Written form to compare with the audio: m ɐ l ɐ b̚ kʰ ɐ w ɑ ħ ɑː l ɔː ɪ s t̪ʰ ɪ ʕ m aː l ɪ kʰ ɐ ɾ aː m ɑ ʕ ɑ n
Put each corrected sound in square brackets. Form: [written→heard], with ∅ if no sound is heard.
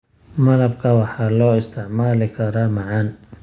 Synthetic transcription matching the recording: m ɐ l ɐ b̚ kʰ ɐ w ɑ ħ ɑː l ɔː ɪ s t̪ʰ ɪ ʕ m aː l ɪ kʰ ɐ ɾ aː m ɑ ʕ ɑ n